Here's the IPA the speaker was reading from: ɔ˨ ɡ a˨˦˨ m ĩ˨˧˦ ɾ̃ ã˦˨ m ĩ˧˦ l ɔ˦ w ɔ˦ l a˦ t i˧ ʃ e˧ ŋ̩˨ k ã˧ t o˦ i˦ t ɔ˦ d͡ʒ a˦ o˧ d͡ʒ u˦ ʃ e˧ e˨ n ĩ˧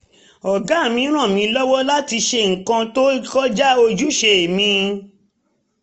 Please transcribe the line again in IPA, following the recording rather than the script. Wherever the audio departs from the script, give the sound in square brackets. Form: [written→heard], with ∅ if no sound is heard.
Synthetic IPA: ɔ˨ ɡ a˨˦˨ m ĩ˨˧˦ ɾ̃ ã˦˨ m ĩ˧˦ l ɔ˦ w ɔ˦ l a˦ t i˧ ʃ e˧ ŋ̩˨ k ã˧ t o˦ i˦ [t→k] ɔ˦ d͡ʒ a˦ o˧ d͡ʒ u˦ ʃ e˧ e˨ [n→m] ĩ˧